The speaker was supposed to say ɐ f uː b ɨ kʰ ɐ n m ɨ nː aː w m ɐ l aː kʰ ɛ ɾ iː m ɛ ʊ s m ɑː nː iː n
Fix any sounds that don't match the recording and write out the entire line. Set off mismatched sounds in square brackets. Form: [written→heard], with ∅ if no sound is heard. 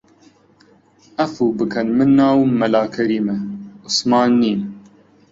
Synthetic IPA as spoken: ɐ f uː b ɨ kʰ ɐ n m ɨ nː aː w m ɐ l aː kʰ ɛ ɾ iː m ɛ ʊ s m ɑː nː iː n